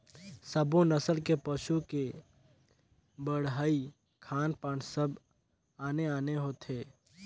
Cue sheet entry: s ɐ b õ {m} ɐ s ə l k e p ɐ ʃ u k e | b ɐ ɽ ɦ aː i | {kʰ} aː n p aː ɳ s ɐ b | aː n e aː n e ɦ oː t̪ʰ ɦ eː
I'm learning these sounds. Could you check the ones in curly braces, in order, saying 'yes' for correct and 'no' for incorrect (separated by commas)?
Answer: no, yes